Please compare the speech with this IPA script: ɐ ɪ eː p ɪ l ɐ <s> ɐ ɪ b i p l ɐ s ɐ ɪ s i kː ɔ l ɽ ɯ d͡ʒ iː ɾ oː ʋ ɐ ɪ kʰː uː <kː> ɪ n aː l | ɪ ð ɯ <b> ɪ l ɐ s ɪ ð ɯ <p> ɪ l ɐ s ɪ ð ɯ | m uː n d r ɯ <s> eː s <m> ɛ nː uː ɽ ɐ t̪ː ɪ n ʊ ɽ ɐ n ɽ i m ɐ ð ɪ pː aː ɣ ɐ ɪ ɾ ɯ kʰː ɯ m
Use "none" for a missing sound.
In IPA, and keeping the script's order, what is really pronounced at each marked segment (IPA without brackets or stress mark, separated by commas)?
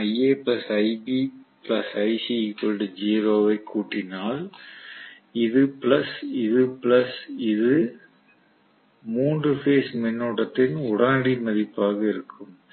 s, ʈː, p, p, f, m